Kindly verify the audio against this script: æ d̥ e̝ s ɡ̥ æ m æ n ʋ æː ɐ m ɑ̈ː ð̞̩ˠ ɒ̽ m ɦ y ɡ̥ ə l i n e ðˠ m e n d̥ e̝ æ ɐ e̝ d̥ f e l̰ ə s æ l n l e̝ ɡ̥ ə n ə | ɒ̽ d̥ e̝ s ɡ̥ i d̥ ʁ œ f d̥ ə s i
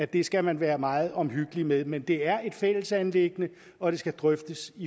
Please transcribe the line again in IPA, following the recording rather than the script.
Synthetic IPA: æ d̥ e̝ s ɡ̥ æ m æ n ʋ æː ɐ m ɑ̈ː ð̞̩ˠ ɒ̽ m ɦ y ɡ̥ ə l i m e ðˠ m e n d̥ e̝ æ ɐ e̝ d̥ f e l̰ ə s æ n l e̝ ɡ̥ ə n ə | ɒ̽ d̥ e̝ s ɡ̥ æ d̥ ʁ œ f d̥ ə s i